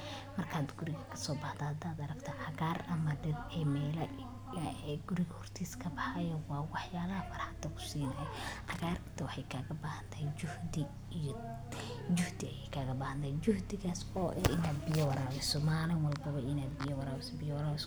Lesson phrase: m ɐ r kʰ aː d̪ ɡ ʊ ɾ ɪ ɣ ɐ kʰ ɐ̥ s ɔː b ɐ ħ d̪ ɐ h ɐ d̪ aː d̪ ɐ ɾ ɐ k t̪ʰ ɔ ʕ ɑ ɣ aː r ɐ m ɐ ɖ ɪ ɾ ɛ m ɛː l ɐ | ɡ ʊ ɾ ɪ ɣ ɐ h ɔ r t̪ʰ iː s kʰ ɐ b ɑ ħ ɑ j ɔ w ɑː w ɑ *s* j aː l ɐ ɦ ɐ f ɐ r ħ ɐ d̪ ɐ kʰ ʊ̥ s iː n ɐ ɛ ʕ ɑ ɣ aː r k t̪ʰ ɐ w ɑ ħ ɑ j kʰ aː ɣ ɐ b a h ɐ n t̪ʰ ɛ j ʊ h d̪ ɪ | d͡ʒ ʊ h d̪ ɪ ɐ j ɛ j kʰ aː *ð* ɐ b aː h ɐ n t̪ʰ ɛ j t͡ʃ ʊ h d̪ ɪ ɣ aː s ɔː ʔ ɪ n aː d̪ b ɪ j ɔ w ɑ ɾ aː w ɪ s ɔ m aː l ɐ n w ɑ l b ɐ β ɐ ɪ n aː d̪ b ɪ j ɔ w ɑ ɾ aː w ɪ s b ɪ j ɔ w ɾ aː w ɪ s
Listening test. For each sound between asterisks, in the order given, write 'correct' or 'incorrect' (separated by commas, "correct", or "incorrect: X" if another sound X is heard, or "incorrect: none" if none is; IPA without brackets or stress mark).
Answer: incorrect: ħ, incorrect: ɣ